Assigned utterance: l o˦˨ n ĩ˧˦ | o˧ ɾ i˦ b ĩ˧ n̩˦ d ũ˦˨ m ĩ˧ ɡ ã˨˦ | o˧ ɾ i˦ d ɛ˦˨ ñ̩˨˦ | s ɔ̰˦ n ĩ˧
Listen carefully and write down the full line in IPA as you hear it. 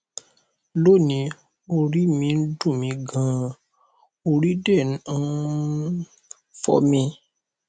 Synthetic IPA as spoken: l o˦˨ n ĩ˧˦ | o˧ ɾ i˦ m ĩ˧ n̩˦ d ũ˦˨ m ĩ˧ ɡ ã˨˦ | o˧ ɾ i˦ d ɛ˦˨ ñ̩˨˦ | f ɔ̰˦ m ĩ˧